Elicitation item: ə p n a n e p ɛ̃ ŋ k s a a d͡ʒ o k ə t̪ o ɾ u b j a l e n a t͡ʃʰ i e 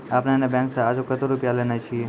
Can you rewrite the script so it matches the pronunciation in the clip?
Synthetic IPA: a p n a n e b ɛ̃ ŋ k s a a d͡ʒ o k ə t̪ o ɾ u p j a l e n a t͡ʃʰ i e